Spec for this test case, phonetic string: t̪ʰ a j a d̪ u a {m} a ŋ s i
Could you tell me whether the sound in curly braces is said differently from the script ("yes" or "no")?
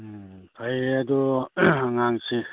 yes